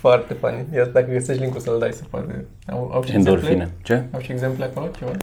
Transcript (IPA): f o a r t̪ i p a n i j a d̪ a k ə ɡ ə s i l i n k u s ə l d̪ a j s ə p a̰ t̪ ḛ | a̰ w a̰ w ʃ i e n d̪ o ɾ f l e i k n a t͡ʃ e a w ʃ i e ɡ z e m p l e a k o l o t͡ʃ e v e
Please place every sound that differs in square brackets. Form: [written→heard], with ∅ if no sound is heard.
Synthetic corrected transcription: f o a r t̪ [i→e] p a n i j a d̪ a k ə ɡ ə s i l i [n→ŋ] k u s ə l d̪ a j s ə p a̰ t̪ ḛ | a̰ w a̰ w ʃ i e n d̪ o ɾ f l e i [k→∅] n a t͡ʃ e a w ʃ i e ɡ z e m p l e a k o l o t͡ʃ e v [e→a]